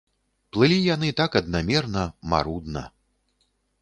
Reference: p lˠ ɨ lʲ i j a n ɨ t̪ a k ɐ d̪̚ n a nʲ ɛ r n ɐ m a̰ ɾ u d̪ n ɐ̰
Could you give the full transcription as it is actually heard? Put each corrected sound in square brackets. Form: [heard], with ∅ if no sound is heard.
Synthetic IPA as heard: p lˠ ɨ lʲ i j a n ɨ t̪ a k ɐ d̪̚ n a [mʲ] ɛ r n ɐ m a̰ ɾ u d̪ n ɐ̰

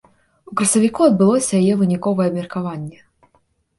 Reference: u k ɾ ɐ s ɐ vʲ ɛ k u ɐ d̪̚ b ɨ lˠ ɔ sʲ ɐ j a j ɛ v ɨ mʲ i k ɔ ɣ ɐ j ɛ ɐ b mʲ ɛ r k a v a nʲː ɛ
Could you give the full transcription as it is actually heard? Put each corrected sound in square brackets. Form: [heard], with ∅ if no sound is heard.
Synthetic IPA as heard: u k ɾ ɐ s ɐ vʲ [i] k u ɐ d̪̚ b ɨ lˠ ɔ sʲ ɐ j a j ɛ v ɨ [nʲ] i k ɔ [v] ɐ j ɛ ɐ b mʲ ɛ r k a v a nʲː ɛ

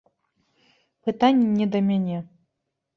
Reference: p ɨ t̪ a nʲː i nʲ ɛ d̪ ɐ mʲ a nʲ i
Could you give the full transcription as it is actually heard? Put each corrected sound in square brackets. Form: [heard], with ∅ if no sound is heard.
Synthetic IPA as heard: p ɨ t̪ a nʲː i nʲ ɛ d̪ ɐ mʲ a nʲ [ɛ]

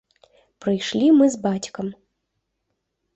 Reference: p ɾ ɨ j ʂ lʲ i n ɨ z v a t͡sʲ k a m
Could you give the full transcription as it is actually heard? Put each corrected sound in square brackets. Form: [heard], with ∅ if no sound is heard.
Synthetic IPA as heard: p ɾ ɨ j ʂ lʲ i [m] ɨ z [b] a t͡sʲ k [ɐ] m

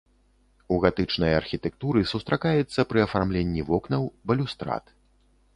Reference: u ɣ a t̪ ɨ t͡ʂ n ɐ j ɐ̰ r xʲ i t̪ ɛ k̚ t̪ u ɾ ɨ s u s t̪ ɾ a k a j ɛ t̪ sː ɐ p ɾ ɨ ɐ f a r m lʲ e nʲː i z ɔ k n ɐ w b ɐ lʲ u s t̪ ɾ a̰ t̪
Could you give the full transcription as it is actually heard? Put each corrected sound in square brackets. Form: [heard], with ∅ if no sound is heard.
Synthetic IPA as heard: u ɣ a t̪ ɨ t͡ʂ n ɐ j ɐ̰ r xʲ i t̪ ɛ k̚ t̪ u ɾ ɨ s u s t̪ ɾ a k a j ɛ t̪ sː ɐ p ɾ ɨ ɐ f a r m lʲ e nʲː i [v] ɔ k n ɐ w b ɐ lʲ u s t̪ ɾ a̰ t̪

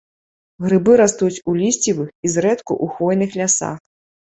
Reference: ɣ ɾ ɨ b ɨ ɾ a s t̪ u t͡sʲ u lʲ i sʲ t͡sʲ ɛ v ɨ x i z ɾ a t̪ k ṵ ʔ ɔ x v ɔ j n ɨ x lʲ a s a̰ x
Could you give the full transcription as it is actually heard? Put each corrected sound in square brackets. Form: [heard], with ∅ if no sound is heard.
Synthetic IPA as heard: ɣ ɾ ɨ b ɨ ɾ a s t̪ u t͡sʲ u lʲ i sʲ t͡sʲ [i] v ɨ x i z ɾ [ɛ] t̪ k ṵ ʔ [u] x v ɔ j n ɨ x lʲ a s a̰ x

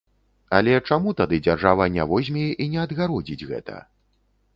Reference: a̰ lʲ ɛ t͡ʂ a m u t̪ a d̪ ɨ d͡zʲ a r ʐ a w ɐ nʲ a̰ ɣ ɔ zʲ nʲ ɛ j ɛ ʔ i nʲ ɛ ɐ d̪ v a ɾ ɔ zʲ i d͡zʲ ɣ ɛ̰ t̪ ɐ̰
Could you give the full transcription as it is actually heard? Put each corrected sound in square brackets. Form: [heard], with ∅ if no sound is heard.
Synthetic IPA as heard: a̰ lʲ ɛ t͡ʂ a m u t̪ a d̪ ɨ d͡zʲ a r ʐ a [v] ɐ nʲ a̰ [v] ɔ zʲ [mʲ] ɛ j ɛ ʔ i nʲ ɛ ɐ d̪ [ɣ] a ɾ ɔ [d͡zʲ] i d͡zʲ ɣ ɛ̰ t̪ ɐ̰

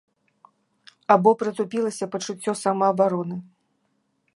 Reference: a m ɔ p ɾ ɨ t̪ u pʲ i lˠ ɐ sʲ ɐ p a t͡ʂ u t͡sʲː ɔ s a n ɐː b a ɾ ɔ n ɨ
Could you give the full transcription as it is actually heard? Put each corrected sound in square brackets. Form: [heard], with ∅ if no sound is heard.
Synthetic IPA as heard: a [b] ɔ p ɾ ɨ t̪ u pʲ i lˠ ɐ sʲ ɐ p [ɐ] t͡ʂ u t͡sʲː ɔ s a [m] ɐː b a ɾ ɔ n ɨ

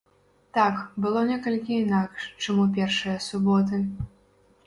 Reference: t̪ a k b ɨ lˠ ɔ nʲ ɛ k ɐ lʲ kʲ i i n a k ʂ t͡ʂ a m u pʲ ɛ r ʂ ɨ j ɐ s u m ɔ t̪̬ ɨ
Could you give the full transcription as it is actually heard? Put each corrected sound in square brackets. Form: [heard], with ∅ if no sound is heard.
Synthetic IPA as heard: t̪ a k b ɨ lˠ ɔ nʲ ɛ k ɐ lʲ kʲ i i n a k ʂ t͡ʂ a m u pʲ ɛ r ʂ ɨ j ɐ s u [b] ɔ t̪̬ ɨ

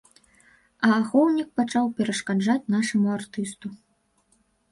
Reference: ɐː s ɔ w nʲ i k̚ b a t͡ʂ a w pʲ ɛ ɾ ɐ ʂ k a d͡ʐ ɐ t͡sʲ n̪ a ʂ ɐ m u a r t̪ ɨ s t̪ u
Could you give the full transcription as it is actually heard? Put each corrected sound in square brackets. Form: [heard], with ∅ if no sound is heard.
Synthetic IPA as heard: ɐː [x] ɔ w nʲ i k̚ [p] a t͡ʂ a w pʲ ɛ ɾ ɐ ʂ k a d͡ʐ [a] t͡sʲ n̪ a ʂ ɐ m u a r t̪ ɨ s t̪ u

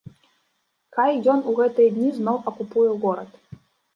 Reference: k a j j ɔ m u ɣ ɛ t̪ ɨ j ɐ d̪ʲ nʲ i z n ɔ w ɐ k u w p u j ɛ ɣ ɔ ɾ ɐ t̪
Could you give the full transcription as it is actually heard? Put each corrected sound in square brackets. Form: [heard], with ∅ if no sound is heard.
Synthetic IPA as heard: k a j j ɔ [n] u ɣ ɛ t̪ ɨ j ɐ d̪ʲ nʲ i z n ɔ w ɐ k u [∅] p u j ɛ ɣ ɔ ɾ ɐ t̪

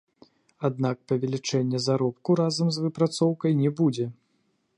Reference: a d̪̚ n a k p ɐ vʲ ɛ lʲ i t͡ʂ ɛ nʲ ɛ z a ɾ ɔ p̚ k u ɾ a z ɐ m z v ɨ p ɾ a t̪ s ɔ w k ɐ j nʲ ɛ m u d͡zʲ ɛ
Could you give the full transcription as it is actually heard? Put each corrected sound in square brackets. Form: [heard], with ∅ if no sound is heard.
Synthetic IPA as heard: a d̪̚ n a k p ɐ vʲ ɛ lʲ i t͡ʂ ɛ [nʲː] ɛ z a ɾ ɔ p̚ k u ɾ a z ɐ m z v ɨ p ɾ a t̪ s ɔ w k ɐ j nʲ ɛ [b] u d͡zʲ ɛ

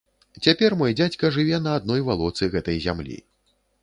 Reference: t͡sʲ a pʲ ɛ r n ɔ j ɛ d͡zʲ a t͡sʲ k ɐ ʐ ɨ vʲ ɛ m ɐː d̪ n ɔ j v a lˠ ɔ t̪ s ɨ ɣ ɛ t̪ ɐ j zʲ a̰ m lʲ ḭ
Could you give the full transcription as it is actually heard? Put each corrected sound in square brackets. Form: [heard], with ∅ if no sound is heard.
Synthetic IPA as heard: t͡sʲ a pʲ ɛ r [m] ɔ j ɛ d͡zʲ a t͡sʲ k ɐ ʐ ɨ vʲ ɛ [n] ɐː d̪ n ɔ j v a lˠ ɔ t̪ s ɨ ɣ ɛ t̪ ɐ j zʲ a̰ m lʲ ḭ

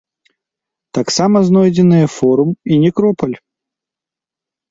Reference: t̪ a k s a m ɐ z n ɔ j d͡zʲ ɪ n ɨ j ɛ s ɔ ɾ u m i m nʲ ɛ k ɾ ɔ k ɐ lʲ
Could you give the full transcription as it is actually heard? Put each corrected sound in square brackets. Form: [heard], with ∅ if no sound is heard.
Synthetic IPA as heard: t̪ a k s a m ɐ z n ɔ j d͡zʲ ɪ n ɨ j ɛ [f] ɔ ɾ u m i [∅] nʲ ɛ k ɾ ɔ [p] ɐ lʲ

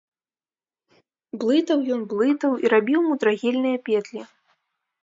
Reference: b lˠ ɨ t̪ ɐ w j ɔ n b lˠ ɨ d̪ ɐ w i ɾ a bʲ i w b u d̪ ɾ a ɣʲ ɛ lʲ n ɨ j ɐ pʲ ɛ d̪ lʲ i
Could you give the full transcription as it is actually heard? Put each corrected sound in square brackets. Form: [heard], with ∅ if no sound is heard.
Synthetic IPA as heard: b lˠ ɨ t̪ ɐ w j ɔ n b lˠ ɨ [t̪] ɐ w i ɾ a bʲ i w [m] u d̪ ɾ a ɣʲ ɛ lʲ n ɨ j ɐ pʲ ɛ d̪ lʲ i

